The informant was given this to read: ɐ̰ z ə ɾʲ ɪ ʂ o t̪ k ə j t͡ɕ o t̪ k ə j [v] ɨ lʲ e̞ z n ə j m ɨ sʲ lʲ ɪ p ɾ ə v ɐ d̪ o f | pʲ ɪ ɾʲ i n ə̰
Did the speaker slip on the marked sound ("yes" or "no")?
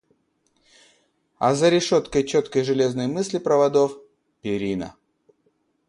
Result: yes